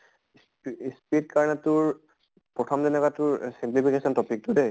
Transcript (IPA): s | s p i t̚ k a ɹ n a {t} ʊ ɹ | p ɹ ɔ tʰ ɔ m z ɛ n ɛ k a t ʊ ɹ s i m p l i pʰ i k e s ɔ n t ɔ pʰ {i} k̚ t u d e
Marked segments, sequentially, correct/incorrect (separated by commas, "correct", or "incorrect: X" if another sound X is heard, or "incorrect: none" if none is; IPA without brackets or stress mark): correct, correct